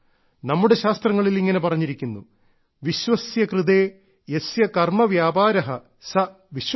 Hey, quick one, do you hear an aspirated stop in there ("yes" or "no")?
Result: no